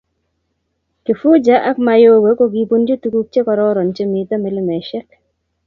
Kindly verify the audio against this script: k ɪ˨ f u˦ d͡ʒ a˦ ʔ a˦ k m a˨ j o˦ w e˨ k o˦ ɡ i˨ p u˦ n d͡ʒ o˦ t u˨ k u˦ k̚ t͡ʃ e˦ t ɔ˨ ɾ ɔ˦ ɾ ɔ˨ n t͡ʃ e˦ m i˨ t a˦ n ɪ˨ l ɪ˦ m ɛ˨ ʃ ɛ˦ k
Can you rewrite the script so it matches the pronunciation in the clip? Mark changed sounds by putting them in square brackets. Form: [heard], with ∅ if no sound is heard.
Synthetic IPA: k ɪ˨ f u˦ d͡ʒ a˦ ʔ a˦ k m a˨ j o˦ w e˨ k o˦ ɡ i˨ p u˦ n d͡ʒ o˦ t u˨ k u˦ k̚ t͡ʃ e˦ [k] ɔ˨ ɾ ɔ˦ ɾ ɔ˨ n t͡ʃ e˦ m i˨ t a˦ [m] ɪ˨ l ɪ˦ m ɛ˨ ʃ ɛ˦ k